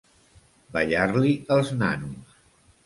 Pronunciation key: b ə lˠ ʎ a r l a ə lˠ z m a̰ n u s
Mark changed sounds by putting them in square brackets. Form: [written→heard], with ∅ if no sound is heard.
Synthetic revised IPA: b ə [lˠ→∅] ʎ a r l [a→i] ə lˠ z [m→n] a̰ n u s